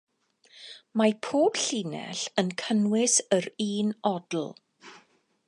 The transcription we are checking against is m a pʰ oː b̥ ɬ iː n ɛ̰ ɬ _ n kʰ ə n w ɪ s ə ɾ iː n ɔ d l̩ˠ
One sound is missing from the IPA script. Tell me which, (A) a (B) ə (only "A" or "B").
B